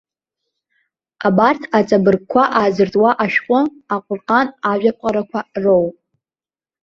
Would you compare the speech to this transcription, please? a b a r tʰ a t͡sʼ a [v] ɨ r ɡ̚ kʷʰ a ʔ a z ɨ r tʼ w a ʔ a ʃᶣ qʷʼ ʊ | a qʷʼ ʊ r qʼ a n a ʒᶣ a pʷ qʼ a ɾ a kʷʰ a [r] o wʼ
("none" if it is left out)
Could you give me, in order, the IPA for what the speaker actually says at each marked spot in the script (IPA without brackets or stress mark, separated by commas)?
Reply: b, r